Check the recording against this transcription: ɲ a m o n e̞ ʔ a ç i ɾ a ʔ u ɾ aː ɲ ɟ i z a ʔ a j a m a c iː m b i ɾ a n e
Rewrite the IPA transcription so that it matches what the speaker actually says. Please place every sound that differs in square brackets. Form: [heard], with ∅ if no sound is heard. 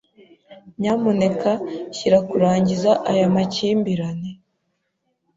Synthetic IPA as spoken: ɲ a m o n e̞ [k] a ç i ɾ a [k] u ɾ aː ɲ ɟ i z a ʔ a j a m a c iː m b i ɾ a n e

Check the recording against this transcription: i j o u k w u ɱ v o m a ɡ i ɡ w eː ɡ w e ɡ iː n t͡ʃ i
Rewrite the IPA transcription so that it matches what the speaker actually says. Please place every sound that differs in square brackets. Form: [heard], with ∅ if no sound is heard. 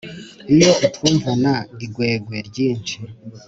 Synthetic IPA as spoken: i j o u [t] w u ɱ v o [n] a ɡ i ɡ w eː ɡ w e [ɟ] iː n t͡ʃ i

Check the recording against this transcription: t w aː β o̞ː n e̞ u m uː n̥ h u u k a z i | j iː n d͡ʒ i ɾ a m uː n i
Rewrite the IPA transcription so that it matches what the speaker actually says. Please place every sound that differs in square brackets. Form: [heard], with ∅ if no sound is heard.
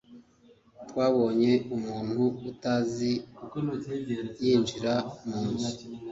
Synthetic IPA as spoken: t w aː β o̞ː [ɲ] e̞ u m uː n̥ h u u [t] a z i | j iː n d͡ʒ i ɾ a m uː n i

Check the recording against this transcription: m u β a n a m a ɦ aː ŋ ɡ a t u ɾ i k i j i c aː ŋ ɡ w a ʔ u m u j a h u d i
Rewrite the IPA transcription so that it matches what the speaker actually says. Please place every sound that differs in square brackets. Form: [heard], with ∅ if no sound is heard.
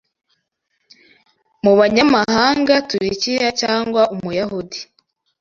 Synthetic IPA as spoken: m u β a [ɲ] a m a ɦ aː ŋ ɡ a t u ɾ i [c] i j [a] c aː ŋ ɡ w a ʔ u m u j a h u d i

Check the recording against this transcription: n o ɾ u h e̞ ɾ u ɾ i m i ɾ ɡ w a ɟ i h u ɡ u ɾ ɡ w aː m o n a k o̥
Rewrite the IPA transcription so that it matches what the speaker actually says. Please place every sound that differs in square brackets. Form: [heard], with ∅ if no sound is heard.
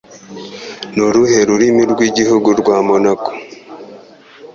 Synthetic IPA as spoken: n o ɾ u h e̞ ɾ u ɾ i m i ɾ ɡ w [i] ɟ i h u ɡ u ɾ ɡ w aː m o n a k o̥

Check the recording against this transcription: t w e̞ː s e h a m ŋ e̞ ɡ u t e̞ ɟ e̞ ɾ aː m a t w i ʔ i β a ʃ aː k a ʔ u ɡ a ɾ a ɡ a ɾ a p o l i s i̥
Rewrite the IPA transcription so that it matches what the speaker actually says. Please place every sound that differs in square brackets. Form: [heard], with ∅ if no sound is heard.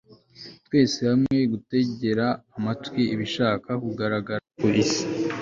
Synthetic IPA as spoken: t w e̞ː s e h a m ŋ e̞ ɡ u t e̞ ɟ e̞ ɾ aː m a t w i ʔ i β [i] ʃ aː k a [k] u ɡ a ɾ a ɡ a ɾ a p o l i s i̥

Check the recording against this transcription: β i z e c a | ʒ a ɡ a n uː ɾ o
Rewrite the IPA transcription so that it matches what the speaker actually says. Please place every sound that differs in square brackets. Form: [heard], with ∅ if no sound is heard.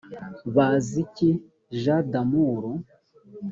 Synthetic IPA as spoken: β [a] z [i] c [i] | ʒ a [d] a [m] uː ɾ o

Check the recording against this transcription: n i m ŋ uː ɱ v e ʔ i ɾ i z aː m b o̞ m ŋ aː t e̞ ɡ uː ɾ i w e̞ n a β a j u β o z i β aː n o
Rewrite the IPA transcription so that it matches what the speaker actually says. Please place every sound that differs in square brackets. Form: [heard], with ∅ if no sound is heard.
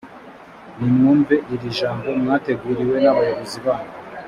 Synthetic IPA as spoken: n i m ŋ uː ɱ v e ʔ i ɾ i [ʒ] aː m b o̞ m ŋ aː t e̞ ɡ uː ɾ i w e̞ n a β a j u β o z i β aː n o

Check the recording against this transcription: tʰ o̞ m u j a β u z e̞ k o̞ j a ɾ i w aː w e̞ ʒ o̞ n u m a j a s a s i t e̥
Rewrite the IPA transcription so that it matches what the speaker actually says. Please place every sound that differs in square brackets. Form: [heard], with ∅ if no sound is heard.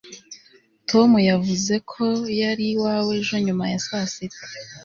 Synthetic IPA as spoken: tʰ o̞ m u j a [v] u z e̞ [kʰ] o̞ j a ɾ i w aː w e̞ ʒ o̞ [ɲ] u m a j a s a s i t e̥

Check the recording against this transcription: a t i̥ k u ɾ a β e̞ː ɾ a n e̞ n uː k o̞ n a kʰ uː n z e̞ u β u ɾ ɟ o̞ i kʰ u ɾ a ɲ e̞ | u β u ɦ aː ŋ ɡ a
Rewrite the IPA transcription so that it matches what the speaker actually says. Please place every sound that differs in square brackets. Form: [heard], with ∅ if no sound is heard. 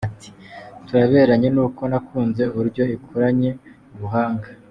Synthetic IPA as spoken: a t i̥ [t] u ɾ a β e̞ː ɾ a [ɲ] e̞ n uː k o̞ n a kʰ uː n z e̞ u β u ɾ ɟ o̞ i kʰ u ɾ a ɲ e̞ | u β u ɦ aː ŋ ɡ a

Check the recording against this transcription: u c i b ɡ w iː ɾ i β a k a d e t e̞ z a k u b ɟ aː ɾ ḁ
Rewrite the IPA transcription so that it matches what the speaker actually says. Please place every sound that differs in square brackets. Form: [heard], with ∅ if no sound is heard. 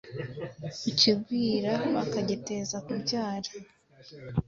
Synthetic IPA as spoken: u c i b ɡ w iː ɾ [a] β a k a [ɟ] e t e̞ z a k u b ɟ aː ɾ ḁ

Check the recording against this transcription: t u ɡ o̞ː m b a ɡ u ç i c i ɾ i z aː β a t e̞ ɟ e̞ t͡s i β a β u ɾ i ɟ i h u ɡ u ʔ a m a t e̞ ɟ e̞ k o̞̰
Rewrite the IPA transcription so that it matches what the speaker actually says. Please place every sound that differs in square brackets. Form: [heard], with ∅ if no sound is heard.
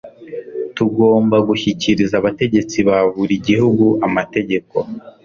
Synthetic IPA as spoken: t u ɡ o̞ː m b a ɡ u ç i c i ɾ i z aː β a t e̞ ɟ e̞ t͡s i β a β u ɾ i ɟ i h u ɡ u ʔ a m a t e̞ ɟ e̞ k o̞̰

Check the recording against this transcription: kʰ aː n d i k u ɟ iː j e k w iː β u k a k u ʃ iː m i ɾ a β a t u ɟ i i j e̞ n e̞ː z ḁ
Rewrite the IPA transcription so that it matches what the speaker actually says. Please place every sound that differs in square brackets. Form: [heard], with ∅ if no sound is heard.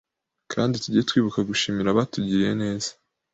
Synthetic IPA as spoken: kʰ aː n d i [t] u ɟ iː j e [t] w iː β u k a [ɡ] u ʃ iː m i ɾ a β a t u ɟ i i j e̞ n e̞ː z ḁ

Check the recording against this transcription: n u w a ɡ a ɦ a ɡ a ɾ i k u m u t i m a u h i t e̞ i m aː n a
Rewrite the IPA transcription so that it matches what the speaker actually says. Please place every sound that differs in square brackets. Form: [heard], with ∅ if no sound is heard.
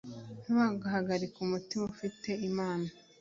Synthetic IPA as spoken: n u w a ɡ a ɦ a ɡ a ɾ i k u m u t i m a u [f] i t e̞ i m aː n a

